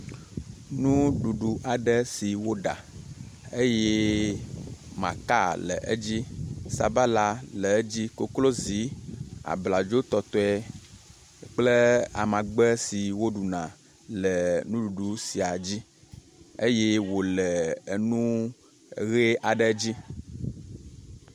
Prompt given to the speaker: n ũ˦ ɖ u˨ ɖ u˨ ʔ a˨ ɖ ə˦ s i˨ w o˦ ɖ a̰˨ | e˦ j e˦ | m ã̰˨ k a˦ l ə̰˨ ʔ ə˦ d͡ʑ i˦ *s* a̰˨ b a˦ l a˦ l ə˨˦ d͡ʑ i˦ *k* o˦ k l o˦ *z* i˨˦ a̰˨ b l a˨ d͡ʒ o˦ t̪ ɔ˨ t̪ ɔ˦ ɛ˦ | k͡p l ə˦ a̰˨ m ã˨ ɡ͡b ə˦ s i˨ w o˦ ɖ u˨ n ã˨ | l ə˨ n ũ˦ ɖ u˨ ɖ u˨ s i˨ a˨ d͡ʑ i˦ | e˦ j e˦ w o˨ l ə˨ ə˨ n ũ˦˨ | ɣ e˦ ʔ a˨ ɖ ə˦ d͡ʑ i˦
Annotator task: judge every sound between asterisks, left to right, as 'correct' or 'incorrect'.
correct, correct, correct

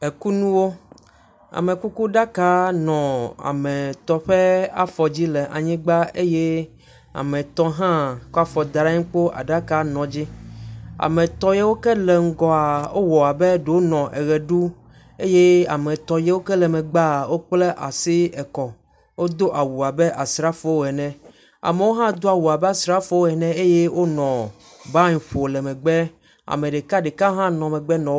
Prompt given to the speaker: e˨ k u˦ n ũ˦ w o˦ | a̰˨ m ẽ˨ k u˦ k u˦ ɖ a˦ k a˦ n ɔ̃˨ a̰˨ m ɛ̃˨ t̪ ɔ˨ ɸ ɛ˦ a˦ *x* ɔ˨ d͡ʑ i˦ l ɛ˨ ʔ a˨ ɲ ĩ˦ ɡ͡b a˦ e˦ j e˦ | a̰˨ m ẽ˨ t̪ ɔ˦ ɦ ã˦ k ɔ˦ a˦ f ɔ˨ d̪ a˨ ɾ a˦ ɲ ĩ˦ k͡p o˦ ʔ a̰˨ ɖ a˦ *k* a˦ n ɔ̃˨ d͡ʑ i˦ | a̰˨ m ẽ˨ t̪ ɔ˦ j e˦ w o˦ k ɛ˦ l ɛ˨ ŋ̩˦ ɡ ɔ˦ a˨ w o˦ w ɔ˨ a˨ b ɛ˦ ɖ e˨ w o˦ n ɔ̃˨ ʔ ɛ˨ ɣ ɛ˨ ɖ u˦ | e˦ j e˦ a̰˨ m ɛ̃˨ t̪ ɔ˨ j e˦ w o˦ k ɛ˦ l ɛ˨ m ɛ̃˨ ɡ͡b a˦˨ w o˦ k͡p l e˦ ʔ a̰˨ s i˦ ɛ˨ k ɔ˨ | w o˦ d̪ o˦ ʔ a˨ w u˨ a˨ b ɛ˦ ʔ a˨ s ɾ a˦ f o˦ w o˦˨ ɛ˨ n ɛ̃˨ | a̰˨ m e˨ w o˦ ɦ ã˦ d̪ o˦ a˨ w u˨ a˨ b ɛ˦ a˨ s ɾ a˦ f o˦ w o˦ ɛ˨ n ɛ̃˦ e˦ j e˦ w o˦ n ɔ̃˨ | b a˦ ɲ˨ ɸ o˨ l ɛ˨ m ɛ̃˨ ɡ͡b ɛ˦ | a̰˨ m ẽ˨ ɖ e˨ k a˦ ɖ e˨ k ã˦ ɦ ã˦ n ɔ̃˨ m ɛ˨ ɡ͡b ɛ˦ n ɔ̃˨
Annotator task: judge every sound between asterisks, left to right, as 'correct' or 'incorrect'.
incorrect: f, correct

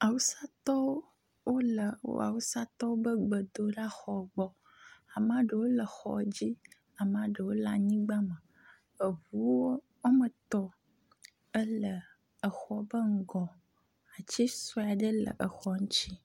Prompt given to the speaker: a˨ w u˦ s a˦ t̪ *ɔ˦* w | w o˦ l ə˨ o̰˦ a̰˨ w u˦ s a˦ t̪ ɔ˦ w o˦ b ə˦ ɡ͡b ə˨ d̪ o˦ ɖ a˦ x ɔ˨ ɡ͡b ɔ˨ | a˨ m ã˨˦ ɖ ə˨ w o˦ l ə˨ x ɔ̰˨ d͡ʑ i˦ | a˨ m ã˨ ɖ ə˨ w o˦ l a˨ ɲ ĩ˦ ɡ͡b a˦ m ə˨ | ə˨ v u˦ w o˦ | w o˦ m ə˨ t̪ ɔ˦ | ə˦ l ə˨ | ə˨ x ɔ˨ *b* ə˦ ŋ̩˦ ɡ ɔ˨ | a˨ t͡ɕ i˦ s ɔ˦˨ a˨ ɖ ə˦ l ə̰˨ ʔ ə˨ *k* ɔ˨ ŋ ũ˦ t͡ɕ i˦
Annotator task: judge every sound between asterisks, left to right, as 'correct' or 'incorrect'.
correct, correct, incorrect: x

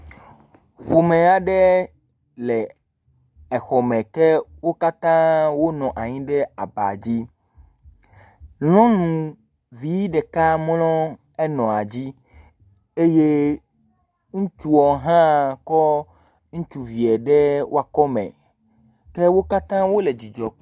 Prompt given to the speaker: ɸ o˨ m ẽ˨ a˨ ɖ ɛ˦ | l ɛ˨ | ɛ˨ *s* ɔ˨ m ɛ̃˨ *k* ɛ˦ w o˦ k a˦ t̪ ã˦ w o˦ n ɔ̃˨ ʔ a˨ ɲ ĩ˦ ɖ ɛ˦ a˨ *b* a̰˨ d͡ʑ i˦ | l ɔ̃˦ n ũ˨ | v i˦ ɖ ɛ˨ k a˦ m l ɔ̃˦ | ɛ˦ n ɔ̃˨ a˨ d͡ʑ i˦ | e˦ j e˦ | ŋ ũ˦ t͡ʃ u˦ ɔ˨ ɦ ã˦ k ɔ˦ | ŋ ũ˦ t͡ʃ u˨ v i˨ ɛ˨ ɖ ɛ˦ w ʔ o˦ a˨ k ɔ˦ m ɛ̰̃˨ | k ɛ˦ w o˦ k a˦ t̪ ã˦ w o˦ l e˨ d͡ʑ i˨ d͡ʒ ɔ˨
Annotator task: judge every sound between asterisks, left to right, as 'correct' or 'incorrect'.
incorrect: x, correct, correct

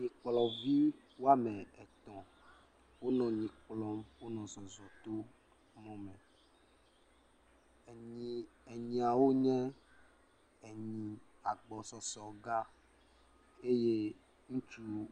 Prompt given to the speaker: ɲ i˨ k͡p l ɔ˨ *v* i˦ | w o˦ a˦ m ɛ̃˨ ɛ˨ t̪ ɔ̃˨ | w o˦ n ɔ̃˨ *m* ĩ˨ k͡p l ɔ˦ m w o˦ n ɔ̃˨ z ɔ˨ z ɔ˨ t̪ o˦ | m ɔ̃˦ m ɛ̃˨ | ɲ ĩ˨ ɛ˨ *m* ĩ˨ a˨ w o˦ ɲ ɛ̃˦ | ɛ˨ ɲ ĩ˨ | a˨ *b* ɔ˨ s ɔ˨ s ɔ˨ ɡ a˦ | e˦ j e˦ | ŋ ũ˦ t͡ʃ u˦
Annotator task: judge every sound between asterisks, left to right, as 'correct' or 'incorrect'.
correct, incorrect: ɲ, incorrect: ɲ, incorrect: ɡ͡b

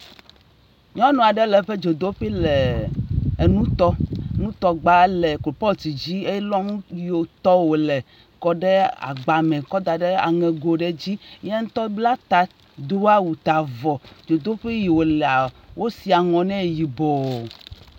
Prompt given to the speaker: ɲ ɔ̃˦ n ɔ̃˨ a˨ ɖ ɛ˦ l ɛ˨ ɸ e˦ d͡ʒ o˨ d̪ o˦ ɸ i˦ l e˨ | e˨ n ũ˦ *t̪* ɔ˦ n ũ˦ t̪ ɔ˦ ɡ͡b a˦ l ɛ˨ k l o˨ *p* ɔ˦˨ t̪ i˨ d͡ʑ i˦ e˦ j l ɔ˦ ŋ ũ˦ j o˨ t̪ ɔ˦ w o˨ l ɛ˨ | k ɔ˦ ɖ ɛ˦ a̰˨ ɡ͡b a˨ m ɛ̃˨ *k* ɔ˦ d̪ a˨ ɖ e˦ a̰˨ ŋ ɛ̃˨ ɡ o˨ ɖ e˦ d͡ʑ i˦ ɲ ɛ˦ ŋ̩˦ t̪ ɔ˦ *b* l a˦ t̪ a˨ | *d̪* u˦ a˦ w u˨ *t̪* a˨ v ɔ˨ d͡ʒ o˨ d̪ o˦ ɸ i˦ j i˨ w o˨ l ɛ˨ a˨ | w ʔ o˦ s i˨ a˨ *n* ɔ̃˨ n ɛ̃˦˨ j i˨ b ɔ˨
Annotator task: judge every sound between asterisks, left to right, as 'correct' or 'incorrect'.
correct, correct, correct, correct, correct, correct, incorrect: ŋ

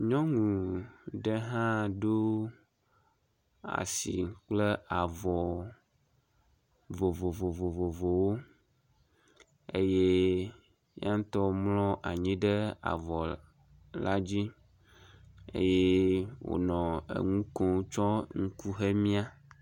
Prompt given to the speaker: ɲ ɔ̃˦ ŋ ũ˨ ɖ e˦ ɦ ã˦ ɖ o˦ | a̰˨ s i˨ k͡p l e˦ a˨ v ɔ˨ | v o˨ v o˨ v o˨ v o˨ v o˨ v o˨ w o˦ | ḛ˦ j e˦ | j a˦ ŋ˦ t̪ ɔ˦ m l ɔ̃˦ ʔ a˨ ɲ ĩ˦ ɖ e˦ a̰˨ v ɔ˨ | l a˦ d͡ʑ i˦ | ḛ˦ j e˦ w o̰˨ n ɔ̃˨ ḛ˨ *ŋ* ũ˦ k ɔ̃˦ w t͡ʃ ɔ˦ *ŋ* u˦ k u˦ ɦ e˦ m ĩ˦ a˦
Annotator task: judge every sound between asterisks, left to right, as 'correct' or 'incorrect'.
correct, correct

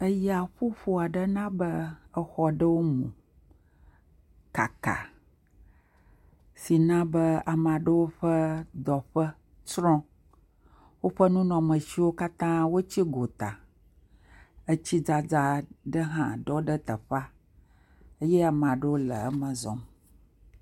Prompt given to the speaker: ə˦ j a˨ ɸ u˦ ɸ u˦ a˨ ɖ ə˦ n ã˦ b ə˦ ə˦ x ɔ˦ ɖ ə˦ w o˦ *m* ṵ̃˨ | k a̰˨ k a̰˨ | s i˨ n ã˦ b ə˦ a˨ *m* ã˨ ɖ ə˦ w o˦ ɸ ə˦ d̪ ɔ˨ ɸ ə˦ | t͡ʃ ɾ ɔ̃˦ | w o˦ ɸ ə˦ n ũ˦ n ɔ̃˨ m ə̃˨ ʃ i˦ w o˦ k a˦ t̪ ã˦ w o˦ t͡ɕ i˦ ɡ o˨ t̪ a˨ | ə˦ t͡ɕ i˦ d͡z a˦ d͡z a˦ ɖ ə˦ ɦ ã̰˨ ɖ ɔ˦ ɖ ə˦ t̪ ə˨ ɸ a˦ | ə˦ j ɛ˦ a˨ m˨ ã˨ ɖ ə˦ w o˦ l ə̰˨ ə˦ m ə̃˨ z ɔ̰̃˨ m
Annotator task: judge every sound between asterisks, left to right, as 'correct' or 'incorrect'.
correct, correct

